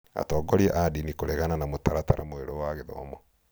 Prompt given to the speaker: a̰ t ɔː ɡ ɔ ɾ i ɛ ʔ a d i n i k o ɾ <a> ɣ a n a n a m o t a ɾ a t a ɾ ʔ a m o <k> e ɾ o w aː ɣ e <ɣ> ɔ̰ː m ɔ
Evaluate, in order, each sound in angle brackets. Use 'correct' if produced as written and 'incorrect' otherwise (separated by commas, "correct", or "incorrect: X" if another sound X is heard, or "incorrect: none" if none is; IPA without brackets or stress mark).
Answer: incorrect: ɛ, incorrect: none, incorrect: ð